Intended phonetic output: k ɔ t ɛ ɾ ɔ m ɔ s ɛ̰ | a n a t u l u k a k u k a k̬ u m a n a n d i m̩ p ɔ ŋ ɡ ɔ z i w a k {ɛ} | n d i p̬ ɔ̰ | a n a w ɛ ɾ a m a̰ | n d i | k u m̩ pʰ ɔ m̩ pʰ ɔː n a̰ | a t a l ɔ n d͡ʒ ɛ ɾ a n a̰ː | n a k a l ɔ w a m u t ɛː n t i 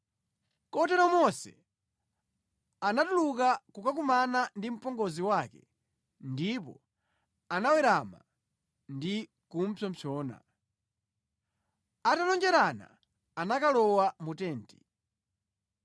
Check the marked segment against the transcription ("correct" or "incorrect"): correct